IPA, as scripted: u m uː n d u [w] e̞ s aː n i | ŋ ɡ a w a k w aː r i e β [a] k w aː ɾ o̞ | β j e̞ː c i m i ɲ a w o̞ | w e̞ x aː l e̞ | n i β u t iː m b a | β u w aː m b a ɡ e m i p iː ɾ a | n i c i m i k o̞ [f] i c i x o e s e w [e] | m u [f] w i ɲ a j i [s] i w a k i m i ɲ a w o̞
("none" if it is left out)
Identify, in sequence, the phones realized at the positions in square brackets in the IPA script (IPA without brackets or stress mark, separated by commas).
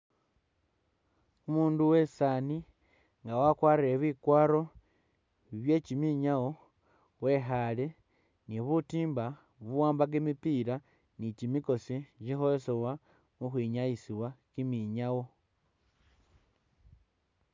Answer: w, i, s, a, x, s